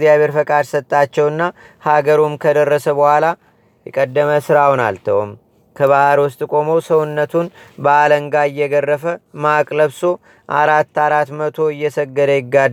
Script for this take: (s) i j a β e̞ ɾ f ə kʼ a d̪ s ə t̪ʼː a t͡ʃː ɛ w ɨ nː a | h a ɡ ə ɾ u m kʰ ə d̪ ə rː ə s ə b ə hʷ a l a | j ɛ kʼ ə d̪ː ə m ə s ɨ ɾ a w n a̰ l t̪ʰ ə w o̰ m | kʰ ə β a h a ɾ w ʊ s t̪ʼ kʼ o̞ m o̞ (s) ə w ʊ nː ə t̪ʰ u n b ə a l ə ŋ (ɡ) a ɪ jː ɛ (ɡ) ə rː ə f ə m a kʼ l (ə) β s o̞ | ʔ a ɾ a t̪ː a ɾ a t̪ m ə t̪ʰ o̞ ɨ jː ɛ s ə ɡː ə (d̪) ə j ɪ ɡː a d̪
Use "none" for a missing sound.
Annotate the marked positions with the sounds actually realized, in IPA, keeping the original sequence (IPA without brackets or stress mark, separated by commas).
z, s, ɡ, ɡ, ə, d̪